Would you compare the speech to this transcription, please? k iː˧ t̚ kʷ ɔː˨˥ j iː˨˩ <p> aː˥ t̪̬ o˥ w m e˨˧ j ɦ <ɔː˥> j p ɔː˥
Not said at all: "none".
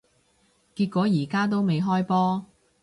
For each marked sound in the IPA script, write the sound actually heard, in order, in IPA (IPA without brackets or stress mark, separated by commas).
k, ɔː˥